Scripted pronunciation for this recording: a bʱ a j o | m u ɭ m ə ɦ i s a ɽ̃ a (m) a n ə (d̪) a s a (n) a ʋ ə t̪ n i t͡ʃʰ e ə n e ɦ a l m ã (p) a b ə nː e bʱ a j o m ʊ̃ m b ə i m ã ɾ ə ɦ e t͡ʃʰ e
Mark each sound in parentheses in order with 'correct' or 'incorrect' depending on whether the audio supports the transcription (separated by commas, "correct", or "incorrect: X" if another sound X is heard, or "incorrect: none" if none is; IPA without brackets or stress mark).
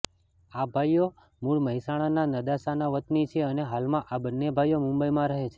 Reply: incorrect: n, correct, correct, incorrect: ʔ